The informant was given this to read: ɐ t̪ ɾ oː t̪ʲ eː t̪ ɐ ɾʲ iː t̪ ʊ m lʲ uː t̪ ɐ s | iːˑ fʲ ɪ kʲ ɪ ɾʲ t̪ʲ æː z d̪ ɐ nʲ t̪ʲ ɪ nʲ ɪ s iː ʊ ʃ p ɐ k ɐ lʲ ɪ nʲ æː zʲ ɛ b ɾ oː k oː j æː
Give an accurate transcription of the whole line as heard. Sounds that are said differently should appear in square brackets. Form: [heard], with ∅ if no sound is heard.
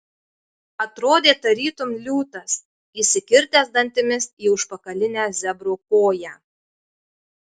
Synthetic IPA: ɐ t̪ ɾ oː [d̪ʲ] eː t̪ ɐ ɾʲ iː t̪ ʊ m lʲ uː t̪ ɐ s | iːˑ [sʲ] ɪ kʲ ɪ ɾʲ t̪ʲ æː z d̪ ɐ nʲ t̪ʲ ɪ [mʲ] ɪ s iː ʊ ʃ p ɐ k ɐ lʲ ɪ nʲ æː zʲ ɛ b ɾ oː k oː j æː